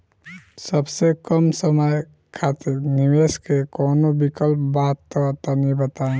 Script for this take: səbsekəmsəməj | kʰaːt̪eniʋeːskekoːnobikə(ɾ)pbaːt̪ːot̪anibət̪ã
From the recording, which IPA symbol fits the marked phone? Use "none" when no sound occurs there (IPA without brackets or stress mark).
l